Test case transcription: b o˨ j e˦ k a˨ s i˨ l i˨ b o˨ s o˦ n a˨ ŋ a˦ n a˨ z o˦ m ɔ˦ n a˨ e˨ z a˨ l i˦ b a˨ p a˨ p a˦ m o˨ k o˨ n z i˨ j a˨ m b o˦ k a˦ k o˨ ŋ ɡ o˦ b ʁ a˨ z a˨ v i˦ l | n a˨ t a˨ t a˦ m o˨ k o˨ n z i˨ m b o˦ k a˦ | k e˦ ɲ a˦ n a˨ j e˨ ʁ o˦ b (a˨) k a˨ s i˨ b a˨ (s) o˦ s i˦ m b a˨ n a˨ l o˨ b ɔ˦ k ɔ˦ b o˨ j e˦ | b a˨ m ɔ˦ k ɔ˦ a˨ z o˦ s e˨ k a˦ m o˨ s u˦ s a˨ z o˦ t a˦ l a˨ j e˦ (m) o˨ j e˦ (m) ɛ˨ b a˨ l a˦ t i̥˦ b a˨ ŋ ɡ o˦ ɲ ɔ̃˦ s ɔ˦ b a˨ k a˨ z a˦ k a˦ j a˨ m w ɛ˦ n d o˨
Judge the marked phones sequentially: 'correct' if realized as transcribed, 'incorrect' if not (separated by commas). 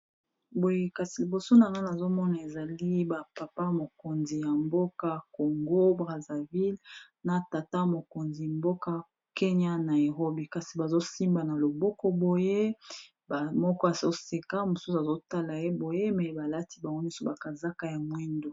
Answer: incorrect, incorrect, incorrect, correct